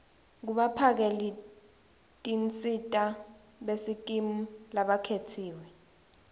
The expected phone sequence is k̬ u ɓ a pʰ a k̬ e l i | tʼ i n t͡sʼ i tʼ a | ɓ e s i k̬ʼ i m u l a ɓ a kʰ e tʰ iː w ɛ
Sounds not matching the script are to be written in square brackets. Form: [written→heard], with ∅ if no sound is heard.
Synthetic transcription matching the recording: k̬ u ɓ a pʰ a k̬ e l i | tʼ i n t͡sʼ i tʼ a | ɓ e s i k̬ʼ i m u l a ɓ a kʰ e tʰ iː w ɛ